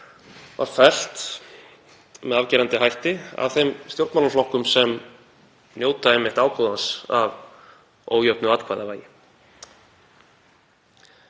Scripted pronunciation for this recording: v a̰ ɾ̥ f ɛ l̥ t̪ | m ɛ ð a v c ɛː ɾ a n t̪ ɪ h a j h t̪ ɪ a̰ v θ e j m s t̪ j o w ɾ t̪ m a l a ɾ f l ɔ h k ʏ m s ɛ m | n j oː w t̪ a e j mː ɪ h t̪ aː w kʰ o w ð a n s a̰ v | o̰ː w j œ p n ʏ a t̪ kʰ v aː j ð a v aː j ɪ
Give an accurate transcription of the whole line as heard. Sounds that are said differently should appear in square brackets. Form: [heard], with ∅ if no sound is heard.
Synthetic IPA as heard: v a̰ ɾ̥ f ɛ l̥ t̪ | m ɛ ð a v c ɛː ɾ a n t̪ ɪ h a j h t̪ ɪ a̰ v θ e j m s t̪ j o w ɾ t̪ m a l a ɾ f l ɔ h k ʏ m s ɛ m | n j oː w t̪ a e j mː ɪ h t̪ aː w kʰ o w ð a n s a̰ v | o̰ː w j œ p n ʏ a t̪ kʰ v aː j ð a v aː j ɪ